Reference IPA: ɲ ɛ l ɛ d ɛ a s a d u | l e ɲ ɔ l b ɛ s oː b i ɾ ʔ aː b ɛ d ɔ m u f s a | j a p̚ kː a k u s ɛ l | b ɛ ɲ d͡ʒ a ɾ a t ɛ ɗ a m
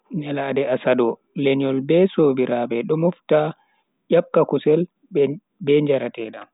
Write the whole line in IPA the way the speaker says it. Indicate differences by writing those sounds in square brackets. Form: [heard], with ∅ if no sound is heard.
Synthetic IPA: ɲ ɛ l [a] d ɛ a s a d [ɔ] | l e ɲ ɔ l b ɛ s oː b i ɾ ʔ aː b ɛ [ɗ] ɔ m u f [t] a | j a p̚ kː a k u s ɛ l | b ɛ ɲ d͡ʒ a ɾ a t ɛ ɗ a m